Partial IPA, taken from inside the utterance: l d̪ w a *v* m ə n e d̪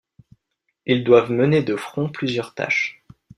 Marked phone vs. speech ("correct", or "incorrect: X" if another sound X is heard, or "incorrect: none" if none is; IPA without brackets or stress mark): correct